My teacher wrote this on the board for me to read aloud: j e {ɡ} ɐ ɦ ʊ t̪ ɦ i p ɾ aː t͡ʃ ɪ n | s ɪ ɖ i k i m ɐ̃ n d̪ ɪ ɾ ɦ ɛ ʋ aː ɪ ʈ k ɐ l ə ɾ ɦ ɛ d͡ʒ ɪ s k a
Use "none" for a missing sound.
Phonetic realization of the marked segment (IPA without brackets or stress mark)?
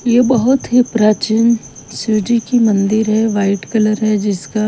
b